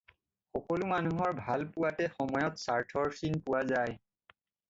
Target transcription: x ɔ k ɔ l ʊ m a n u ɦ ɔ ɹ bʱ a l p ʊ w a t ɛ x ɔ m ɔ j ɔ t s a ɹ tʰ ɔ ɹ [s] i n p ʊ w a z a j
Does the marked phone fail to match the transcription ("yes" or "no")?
no